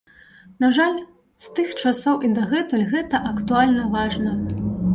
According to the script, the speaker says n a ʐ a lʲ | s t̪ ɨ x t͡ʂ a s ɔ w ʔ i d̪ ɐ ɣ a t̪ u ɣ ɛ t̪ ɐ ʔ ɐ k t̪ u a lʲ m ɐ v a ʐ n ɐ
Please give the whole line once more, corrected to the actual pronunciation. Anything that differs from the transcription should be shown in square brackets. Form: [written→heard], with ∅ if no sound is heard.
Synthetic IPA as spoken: n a ʐ a lʲ | s t̪ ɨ x t͡ʂ a s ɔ w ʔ i d̪ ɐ ɣ [a→ɛ] t̪ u ɣ ɛ t̪ ɐ ʔ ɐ k t̪ u a lʲ [m→n] ɐ v a ʐ n ɐ

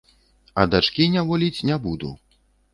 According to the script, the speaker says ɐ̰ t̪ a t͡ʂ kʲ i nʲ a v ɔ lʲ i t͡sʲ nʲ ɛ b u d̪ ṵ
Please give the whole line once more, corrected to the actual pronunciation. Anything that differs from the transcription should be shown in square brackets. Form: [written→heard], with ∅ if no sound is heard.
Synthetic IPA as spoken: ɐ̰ [t̪→d̪] a t͡ʂ kʲ i nʲ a v ɔ lʲ i t͡sʲ nʲ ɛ b u d̪ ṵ

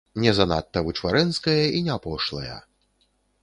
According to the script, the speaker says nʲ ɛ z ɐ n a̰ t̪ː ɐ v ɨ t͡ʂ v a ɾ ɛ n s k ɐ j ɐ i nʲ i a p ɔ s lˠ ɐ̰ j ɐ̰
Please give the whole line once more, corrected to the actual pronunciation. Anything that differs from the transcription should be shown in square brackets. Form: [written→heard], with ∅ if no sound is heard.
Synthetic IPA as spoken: nʲ ɛ z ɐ n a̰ t̪ː ɐ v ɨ t͡ʂ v a ɾ ɛ n s k ɐ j ɐ i nʲ [i→ɛ] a p ɔ [s→ʂ] lˠ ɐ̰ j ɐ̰

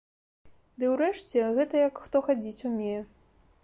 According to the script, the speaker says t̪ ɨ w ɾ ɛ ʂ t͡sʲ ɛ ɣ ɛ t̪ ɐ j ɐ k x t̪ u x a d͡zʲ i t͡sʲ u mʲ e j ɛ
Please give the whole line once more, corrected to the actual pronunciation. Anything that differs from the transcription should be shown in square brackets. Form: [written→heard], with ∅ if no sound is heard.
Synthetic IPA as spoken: [t̪→d̪] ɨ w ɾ ɛ ʂ t͡sʲ ɛ ɣ ɛ t̪ ɐ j ɐ k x t̪ [u→ɔ] x a d͡zʲ i t͡sʲ u mʲ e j ɛ

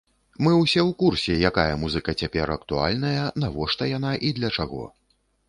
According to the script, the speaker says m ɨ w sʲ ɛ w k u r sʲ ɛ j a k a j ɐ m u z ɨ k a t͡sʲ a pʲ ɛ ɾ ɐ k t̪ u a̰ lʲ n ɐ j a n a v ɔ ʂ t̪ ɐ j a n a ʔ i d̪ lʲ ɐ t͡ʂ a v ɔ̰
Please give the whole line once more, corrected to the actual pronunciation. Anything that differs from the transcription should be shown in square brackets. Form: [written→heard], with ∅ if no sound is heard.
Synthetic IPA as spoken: m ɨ w sʲ ɛ w k u r sʲ ɛ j a k a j ɐ m u z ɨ k [a→ɐ] t͡sʲ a pʲ ɛ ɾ ɐ k t̪ u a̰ lʲ n ɐ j [a→ɐ] n a v ɔ ʂ t̪ ɐ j a n a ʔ i d̪ lʲ ɐ t͡ʂ a [v→ɣ] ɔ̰

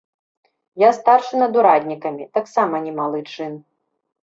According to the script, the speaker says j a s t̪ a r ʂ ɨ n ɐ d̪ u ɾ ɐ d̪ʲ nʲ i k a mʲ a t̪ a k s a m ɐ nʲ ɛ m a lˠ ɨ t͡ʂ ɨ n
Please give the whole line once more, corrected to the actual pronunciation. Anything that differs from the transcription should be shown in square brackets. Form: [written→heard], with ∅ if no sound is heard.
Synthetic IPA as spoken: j a s t̪ a r ʂ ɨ n ɐ d̪ u ɾ [ɐ→a] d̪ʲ nʲ i k [a→ɐ] mʲ [a→i] t̪ a k s a m ɐ nʲ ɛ m a lˠ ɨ t͡ʂ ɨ n

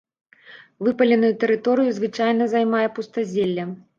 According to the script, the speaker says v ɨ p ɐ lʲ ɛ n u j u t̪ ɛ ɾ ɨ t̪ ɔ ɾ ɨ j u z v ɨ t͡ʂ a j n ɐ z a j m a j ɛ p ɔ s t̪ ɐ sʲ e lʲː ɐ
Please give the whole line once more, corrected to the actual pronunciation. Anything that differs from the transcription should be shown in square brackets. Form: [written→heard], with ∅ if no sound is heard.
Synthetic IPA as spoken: v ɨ p ɐ lʲ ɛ n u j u t̪ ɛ ɾ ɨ t̪ ɔ ɾ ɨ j u z v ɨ t͡ʂ a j n ɐ z a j m a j ɛ p [ɔ→u] s t̪ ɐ [sʲ→zʲ] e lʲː ɐ

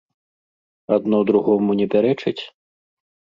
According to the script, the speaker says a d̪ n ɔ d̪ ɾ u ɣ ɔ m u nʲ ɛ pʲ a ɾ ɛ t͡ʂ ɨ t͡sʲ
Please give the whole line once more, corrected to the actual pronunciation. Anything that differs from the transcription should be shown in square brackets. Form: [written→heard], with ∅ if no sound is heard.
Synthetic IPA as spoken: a d̪ n ɔ d̪ ɾ u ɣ ɔ m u nʲ ɛ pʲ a ɾ ɛ t͡ʂ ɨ t͡sʲ

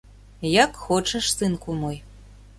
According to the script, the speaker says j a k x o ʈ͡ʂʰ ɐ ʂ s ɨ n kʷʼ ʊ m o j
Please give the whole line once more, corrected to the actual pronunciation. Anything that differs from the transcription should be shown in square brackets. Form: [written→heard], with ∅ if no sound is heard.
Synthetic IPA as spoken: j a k x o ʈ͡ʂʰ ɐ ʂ s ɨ n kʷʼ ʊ m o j

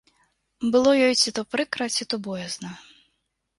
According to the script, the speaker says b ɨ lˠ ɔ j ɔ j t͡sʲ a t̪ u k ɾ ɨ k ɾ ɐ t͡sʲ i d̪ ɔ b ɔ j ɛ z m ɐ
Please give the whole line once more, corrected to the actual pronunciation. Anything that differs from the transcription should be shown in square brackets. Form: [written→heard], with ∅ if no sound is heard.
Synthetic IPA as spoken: b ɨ lˠ ɔ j ɔ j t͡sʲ [a→i] t̪ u [k→p] ɾ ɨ k ɾ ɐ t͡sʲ i [d̪→t̪] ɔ b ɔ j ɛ z [m→n] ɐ

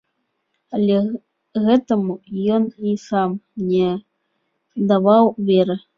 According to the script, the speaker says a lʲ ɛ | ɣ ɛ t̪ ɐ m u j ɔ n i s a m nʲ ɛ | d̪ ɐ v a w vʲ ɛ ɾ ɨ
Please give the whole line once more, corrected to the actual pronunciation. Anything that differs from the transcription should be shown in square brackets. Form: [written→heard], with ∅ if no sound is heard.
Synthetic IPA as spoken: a lʲ ɛ | ɣ ɛ t̪ ɐ m u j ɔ n i s a m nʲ ɛ | d̪ [ɐ→a] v a w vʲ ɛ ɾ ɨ

